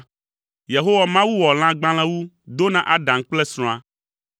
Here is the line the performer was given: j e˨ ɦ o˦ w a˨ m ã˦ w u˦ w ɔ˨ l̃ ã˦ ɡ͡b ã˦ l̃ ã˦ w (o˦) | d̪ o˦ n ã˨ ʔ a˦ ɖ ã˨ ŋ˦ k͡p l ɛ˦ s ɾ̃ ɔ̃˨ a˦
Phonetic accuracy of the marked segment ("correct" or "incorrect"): incorrect